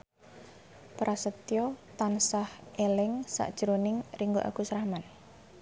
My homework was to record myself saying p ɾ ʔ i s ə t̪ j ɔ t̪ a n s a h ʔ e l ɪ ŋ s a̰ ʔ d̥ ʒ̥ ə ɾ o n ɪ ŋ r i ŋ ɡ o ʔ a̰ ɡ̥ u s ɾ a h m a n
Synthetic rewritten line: p ɾ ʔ a s ə t̪ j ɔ t̪ a n s a h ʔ e l ɪ ŋ s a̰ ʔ d̥ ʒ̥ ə ɾ o n ɪ ŋ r i ŋ ɡ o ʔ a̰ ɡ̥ u s ɾ a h m a n